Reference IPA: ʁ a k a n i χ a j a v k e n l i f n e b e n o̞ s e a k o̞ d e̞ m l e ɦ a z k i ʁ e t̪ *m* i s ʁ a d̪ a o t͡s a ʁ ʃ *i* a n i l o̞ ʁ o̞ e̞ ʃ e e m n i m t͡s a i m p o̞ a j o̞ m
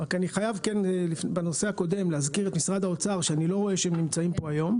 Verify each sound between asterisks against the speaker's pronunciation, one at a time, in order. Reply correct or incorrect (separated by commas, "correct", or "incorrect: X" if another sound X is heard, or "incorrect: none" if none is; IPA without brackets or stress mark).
correct, incorrect: e